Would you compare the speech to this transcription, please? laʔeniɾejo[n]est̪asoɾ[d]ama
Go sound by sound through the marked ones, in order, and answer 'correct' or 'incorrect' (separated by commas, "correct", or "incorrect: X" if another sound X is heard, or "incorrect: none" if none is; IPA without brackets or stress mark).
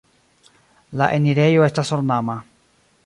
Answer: incorrect: none, incorrect: n